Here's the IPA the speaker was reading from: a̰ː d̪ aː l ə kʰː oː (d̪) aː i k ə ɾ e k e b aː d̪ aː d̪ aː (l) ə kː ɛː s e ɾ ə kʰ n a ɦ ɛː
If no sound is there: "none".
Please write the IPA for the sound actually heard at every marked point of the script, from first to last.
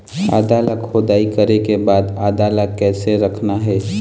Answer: d̪, l

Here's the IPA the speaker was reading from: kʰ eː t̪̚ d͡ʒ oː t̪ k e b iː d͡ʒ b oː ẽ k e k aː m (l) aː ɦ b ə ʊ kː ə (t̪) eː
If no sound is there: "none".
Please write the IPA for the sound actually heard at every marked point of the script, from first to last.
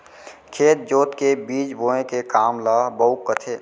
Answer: l, t̪ʰ

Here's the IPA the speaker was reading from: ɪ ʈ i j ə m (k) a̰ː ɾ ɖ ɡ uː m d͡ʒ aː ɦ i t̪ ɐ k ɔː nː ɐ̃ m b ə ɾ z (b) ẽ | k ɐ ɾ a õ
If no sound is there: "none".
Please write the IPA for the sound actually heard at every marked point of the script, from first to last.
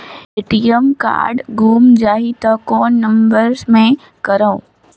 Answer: k, m

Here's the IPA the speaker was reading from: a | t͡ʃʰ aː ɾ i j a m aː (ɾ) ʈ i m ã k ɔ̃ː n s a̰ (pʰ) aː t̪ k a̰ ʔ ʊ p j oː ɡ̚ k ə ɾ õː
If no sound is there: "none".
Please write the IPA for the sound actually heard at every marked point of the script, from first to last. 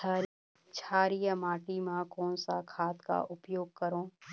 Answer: none, kʰ

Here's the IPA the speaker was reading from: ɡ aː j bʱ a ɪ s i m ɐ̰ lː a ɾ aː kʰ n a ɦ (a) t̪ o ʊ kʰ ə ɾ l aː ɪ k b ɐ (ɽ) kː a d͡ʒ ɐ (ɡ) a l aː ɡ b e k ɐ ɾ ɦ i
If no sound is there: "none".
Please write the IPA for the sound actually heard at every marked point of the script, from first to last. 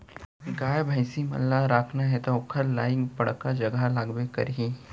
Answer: ɛ, ɽ, ɡ

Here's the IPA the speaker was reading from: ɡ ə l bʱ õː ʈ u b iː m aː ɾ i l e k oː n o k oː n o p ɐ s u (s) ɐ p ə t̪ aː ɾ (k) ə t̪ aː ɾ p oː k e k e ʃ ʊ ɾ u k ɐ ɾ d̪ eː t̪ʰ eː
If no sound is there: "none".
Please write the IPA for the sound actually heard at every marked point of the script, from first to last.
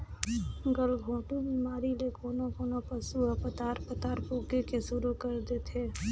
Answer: none, p

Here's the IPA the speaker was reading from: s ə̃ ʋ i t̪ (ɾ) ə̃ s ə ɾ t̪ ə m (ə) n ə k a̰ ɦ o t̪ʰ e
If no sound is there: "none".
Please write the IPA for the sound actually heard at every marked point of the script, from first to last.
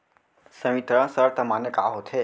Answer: ɾ, a

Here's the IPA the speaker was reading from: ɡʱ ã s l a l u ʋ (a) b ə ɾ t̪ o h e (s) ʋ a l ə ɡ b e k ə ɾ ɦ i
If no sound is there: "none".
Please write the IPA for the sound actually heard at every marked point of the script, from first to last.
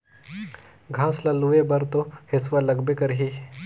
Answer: e, s

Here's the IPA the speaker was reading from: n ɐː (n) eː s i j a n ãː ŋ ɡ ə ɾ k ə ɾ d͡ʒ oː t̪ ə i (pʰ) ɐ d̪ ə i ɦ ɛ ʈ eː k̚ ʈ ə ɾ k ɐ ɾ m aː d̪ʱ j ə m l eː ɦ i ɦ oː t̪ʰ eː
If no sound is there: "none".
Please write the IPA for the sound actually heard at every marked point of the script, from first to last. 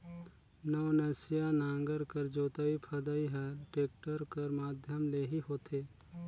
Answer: n, pʰ

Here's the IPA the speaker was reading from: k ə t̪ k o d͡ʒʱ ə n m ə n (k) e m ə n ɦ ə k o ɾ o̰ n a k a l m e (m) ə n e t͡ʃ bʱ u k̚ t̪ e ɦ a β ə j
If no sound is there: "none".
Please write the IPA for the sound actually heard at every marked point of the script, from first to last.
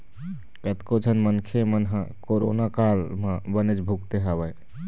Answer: kʰ, b

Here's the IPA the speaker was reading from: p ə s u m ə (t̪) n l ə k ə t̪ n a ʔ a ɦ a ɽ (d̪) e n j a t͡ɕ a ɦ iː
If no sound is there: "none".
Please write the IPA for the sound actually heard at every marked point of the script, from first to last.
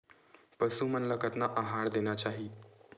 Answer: none, d̪

